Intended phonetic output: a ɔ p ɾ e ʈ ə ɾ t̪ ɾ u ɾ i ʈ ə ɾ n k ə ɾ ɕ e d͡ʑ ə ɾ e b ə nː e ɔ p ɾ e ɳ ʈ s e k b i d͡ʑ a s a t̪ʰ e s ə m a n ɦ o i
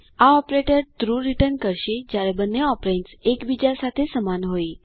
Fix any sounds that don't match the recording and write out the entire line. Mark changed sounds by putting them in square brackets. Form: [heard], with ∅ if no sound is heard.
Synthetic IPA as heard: a ɔ p ɾ e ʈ ə ɾ t̪ ɾ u ɾ i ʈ ə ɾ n k ə ɾ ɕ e d͡ʑ [a] ɾ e b ə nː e ɔ p ɾ e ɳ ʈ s e k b i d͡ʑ a s a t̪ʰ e s ə m a n ɦ o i